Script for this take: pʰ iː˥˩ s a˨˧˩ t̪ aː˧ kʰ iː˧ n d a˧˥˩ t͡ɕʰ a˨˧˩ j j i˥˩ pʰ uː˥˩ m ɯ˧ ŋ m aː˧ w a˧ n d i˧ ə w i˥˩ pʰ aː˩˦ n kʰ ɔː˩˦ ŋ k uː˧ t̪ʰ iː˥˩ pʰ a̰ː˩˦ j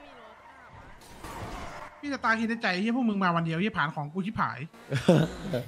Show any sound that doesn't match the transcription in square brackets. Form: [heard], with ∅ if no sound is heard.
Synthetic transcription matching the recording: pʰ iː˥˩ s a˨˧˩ t̪ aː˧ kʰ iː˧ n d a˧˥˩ [t͡ɕ] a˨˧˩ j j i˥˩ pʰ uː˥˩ m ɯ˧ ŋ m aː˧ w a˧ n d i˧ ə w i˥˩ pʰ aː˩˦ n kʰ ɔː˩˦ ŋ k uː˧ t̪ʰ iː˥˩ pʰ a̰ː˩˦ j

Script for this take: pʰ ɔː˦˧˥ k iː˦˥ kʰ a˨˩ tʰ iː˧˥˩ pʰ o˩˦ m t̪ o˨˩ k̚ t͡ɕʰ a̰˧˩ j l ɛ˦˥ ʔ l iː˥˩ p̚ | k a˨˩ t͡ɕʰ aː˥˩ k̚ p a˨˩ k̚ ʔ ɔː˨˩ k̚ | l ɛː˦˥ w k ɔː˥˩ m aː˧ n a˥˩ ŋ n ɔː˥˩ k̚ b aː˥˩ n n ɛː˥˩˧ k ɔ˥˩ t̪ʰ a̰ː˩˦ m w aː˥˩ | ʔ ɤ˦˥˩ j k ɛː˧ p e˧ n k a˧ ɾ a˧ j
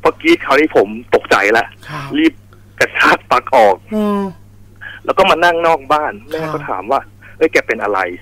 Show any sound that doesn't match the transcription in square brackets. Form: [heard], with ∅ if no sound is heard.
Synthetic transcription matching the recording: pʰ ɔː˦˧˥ k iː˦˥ kʰ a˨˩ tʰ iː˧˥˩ pʰ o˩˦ m t̪ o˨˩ k̚ [t͡ɕ] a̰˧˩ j l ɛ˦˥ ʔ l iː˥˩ p̚ | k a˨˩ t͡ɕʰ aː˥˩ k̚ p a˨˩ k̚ ʔ ɔː˨˩ k̚ | l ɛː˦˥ w k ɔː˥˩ m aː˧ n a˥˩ ŋ n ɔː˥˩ k̚ b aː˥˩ n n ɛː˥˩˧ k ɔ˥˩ t̪ʰ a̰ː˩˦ m w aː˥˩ | ʔ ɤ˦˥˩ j k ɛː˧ p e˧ n [ʔ] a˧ ɾ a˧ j

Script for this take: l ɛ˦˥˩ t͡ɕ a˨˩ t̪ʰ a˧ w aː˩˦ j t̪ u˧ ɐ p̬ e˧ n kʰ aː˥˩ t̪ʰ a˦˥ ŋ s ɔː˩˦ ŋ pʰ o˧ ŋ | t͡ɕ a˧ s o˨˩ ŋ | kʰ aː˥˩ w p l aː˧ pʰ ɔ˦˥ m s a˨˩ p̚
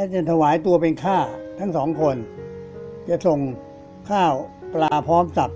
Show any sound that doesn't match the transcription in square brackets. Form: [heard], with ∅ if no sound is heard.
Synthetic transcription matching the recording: l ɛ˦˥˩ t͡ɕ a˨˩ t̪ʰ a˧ w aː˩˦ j t̪ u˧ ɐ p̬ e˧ n kʰ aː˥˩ t̪ʰ a˦˥ ŋ s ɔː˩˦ ŋ [kʰ] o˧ [n] | t͡ɕ [a˨˩] s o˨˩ ŋ | kʰ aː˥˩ w p l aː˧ pʰ [ɔː˦˥] m s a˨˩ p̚

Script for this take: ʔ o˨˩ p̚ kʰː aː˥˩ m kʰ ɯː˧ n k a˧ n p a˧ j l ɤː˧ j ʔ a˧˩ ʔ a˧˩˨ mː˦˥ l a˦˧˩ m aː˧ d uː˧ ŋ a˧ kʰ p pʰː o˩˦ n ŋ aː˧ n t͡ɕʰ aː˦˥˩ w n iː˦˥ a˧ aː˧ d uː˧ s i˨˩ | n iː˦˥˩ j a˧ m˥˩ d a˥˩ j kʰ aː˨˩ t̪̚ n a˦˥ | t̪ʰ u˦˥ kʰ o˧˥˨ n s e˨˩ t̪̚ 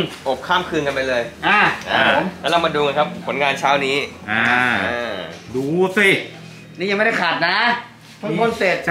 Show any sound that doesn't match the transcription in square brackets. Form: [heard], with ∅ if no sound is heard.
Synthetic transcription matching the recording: ʔ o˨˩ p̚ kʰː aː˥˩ m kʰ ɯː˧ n k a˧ n p a˧ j l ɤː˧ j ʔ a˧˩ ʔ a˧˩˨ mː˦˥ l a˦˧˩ m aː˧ d uː˧ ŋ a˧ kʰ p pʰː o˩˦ n ŋ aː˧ n t͡ɕʰ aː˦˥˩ w n iː˦˥ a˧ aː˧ d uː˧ s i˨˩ | n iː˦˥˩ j a˧ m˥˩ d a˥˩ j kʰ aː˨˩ t̪̚ n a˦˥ | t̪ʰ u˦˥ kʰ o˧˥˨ n s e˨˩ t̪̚

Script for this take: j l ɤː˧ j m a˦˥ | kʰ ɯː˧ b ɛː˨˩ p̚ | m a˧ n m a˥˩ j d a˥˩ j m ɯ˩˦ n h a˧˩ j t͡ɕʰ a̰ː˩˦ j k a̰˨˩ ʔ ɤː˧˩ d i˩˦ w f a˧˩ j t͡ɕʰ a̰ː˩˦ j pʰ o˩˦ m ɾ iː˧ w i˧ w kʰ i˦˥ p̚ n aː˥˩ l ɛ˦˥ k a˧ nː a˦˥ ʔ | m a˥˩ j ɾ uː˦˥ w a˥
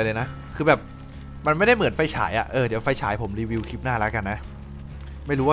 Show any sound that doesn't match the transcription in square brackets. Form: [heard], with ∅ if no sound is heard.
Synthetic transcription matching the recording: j l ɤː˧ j [n] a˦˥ | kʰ ɯː˧ b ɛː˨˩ p̚ | m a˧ n m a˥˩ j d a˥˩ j m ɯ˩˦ n [f] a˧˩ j t͡ɕʰ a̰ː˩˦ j [ʔ] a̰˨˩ ʔ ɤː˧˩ d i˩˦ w f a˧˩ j t͡ɕʰ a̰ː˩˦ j pʰ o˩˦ m ɾ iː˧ w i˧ w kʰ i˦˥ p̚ n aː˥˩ l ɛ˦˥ k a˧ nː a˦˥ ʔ | m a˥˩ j ɾ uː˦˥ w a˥

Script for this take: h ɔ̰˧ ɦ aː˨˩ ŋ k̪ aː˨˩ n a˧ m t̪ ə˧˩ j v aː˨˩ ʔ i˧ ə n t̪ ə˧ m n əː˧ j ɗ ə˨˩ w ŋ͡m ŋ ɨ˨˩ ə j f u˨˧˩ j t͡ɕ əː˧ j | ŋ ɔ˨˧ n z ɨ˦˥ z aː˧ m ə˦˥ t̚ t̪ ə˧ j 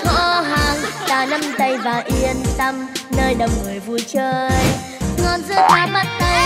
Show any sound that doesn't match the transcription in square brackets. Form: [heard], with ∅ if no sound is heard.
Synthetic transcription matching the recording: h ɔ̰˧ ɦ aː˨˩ ŋ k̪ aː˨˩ n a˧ m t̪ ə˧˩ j v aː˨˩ ʔ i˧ ə n t̪ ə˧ m n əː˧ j ɗ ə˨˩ w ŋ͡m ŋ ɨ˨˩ ə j [v] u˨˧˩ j t͡ɕ əː˧ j | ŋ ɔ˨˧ n z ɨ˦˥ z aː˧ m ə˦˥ t̚ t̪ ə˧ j

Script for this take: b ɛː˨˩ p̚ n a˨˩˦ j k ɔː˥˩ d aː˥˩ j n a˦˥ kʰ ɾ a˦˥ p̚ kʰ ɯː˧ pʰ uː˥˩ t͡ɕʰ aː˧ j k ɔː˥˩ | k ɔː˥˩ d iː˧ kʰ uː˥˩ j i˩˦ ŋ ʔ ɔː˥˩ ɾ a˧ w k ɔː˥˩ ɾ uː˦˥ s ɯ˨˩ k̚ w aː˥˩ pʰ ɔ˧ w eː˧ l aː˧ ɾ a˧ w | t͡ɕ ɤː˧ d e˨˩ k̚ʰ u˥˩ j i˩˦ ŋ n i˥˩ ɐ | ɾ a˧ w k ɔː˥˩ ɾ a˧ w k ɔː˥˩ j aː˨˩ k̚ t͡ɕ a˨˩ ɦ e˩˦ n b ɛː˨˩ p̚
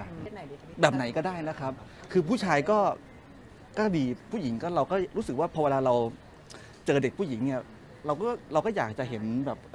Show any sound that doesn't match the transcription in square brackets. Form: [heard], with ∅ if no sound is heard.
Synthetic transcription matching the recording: b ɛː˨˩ p̚ n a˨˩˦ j k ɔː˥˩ d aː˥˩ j n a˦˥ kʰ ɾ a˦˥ p̚ kʰ ɯː˧ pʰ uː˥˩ t͡ɕʰ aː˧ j k ɔː˥˩ | k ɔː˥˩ d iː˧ [pʰ] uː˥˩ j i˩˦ ŋ [k] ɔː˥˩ ɾ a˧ w k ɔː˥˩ ɾ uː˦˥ s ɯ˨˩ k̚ w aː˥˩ pʰ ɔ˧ w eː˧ l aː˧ ɾ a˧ w | t͡ɕ ɤː˧ d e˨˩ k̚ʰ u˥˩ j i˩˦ ŋ n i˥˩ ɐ | ɾ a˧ w k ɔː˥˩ ɾ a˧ w k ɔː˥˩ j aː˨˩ k̚ t͡ɕ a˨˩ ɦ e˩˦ n b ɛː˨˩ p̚

